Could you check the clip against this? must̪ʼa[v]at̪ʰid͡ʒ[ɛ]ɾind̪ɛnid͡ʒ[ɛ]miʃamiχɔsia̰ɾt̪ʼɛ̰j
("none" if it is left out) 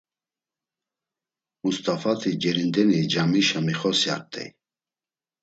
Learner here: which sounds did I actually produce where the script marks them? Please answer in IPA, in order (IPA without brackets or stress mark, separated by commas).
f, ɛ, a